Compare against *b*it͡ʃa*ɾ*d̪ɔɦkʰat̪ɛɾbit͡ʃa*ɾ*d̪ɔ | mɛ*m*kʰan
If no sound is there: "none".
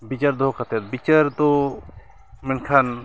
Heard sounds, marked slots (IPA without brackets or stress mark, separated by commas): b, ɾ, ɾ, n